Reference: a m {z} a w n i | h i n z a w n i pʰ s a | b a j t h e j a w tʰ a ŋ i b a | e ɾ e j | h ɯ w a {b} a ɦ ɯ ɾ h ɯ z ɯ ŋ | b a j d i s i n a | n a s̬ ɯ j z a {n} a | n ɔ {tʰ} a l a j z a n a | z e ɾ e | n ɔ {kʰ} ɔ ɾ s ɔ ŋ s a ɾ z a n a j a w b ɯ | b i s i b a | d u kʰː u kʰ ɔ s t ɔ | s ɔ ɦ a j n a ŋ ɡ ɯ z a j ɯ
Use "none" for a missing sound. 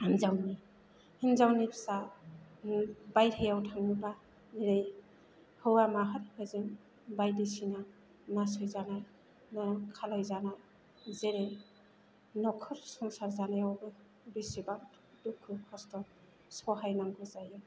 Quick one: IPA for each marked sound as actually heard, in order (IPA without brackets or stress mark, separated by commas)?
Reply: z, m, n, kʰ, kʰ